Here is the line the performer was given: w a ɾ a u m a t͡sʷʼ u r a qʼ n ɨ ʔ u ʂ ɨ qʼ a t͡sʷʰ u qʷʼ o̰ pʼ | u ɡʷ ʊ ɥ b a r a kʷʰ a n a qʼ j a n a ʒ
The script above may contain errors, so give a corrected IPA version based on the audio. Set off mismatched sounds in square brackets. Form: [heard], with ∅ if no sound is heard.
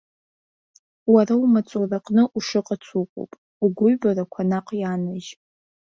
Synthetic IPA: w a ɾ a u m a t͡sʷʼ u r a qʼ n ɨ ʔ u ʂ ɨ qʼ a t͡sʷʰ u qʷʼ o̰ pʼ | u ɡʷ ʊ ɥ b a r a kʷʰ a n a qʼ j a n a ʒ